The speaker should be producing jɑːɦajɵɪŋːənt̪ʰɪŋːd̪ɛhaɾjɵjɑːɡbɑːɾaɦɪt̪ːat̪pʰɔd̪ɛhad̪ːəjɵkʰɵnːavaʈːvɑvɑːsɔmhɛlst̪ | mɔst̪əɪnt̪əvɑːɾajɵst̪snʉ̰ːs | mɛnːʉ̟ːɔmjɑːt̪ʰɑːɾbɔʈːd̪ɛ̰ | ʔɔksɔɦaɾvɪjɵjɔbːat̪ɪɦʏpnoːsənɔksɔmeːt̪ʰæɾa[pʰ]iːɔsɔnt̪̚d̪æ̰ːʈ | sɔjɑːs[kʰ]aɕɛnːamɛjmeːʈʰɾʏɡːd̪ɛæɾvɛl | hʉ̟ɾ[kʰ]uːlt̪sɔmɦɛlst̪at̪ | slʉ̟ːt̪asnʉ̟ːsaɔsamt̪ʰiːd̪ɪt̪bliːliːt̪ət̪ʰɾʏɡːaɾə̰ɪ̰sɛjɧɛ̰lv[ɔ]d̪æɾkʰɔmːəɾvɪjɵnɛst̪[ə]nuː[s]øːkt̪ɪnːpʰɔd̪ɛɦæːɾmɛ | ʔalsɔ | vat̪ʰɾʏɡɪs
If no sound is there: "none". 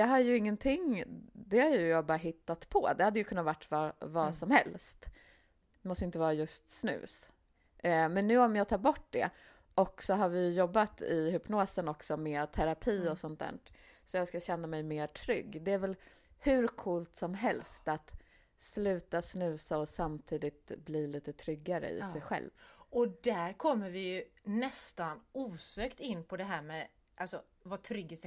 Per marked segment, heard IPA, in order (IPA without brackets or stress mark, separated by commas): pʰ, k, kʰ, ɔ, a, s